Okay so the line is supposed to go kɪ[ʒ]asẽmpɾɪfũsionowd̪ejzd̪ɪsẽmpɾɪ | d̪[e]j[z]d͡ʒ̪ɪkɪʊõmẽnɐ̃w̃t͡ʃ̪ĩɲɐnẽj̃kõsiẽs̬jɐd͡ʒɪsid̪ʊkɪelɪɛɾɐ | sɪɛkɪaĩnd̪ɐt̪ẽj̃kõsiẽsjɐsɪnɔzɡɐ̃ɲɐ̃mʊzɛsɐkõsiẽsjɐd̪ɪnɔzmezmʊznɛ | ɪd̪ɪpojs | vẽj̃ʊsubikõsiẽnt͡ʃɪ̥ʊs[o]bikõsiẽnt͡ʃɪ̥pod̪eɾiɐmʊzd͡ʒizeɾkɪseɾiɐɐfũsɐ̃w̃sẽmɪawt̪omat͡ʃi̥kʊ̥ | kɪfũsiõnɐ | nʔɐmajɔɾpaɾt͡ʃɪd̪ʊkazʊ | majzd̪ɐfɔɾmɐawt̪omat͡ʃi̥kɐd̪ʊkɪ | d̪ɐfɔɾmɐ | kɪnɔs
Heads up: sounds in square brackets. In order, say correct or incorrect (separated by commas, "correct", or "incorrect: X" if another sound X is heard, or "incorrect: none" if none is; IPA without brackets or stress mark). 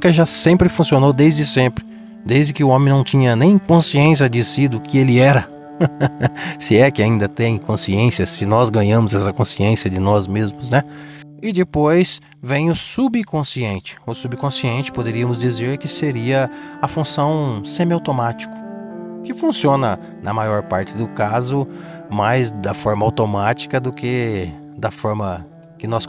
correct, correct, correct, incorrect: u